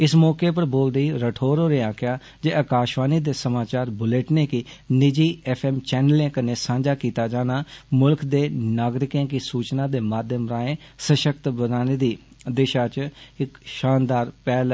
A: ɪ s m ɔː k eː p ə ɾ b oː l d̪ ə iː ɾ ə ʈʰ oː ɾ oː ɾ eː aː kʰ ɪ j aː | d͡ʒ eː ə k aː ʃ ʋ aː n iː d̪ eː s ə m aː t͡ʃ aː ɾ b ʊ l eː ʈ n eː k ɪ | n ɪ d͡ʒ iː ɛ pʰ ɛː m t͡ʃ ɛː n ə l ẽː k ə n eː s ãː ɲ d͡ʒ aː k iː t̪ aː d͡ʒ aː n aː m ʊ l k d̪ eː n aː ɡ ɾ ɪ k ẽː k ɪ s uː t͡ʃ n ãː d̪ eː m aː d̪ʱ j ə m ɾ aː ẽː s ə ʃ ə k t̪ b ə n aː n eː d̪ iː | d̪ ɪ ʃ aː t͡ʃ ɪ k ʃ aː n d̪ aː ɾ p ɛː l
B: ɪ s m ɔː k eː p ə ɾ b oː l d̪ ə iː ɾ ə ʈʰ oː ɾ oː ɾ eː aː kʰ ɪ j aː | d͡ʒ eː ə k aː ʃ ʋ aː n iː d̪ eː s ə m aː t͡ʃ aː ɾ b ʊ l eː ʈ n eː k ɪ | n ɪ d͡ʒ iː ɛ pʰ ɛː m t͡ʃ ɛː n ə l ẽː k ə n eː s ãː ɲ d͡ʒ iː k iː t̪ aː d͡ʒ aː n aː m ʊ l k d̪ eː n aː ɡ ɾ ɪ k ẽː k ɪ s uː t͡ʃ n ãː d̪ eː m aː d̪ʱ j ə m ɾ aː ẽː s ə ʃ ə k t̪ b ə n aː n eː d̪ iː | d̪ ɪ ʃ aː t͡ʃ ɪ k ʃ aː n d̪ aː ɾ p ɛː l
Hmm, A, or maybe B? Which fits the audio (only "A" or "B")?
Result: A